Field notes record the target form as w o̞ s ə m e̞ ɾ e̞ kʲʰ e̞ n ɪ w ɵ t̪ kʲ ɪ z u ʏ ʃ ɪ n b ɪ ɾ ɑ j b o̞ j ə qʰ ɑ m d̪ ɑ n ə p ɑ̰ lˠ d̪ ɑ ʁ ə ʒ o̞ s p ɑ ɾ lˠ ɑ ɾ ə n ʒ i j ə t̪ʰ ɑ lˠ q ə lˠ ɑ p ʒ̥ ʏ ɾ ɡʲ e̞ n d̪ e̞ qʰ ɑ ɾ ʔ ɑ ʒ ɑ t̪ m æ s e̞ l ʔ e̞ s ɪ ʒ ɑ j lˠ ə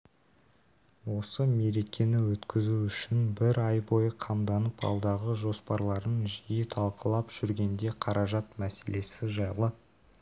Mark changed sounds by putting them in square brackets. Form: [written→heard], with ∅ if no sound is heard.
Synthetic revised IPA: w o̞ s ə m e̞ ɾ e̞ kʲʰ e̞ n ɪ w ɵ t̪ kʲ ɪ z u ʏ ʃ ɪ n b ɪ ɾ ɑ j b o̞ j ə qʰ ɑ m d̪ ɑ n ə p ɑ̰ lˠ d̪ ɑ ʁ ə ʒ o̞ s p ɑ ɾ lˠ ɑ ɾ ə n ʒ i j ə t̪ʰ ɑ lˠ q ə lˠ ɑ p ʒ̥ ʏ ɾ ɡʲ e̞ n d̪ e̞ qʰ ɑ ɾ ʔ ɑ ʒ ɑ t̪ m æ s e̞ l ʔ e̞ s ɪ ʒ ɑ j lˠ ə